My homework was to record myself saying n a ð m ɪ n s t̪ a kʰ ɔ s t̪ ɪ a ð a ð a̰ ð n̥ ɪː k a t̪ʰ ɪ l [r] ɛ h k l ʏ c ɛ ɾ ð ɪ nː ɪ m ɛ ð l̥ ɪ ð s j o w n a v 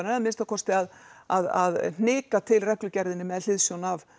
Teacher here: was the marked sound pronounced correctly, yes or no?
yes